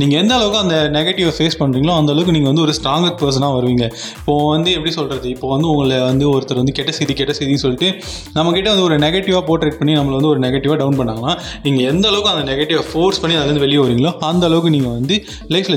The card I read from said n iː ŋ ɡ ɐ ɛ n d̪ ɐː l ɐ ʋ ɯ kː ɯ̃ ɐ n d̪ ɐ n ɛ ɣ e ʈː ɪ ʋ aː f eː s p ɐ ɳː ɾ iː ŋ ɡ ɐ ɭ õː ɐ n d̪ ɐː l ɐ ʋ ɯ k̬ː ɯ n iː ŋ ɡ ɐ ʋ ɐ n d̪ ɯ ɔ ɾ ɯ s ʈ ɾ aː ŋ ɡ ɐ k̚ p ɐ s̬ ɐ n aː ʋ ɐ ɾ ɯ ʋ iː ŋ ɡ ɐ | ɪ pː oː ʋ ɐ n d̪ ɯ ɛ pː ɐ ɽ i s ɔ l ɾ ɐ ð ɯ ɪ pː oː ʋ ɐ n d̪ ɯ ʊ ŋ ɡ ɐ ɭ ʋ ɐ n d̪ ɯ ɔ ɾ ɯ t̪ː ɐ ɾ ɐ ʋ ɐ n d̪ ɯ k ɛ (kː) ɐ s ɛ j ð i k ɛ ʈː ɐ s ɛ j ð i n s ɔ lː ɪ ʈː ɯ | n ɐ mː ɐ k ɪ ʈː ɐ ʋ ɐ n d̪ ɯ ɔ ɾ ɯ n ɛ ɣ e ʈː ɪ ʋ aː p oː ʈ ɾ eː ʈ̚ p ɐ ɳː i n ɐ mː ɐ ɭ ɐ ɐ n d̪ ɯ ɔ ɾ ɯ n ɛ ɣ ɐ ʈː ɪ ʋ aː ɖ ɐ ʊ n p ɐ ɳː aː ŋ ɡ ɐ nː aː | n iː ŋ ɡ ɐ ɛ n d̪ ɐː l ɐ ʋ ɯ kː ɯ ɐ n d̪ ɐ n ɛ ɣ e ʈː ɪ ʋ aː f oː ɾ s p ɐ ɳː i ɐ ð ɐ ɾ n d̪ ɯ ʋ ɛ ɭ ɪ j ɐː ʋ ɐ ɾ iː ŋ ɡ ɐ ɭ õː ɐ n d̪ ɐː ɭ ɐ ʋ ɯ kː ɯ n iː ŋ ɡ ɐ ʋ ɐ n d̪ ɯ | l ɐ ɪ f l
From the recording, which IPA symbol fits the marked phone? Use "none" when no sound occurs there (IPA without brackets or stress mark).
ʈː